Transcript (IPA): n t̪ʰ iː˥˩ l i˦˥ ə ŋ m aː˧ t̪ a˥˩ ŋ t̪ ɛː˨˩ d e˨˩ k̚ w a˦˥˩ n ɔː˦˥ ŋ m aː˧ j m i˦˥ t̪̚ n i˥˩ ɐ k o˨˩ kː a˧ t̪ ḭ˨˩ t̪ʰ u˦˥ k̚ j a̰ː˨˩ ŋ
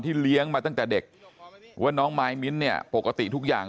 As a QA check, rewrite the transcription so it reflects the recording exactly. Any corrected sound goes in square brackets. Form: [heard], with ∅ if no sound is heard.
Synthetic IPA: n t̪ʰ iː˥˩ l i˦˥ ə ŋ m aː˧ t̪ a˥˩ ŋ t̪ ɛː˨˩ d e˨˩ k̚ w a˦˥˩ n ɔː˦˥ ŋ m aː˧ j m i˦˥ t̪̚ n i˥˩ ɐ [p] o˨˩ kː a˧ t̪ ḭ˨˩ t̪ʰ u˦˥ k̚ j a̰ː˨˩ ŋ